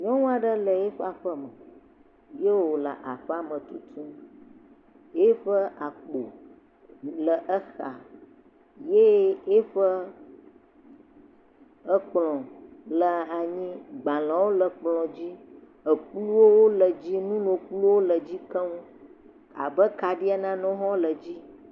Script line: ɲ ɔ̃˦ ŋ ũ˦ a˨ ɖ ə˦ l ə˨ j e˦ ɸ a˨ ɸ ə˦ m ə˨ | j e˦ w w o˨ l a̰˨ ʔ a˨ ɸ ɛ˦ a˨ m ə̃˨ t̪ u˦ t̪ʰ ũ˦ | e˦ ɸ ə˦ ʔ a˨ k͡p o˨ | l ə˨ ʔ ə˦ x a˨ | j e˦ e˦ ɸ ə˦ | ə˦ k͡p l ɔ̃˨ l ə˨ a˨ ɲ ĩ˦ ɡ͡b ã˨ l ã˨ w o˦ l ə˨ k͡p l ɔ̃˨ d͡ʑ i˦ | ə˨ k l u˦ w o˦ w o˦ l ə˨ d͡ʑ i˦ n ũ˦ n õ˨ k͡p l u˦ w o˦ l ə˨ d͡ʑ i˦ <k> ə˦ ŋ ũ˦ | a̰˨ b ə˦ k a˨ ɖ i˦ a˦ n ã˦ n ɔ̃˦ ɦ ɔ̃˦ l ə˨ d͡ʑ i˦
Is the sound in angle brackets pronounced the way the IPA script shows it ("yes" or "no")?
yes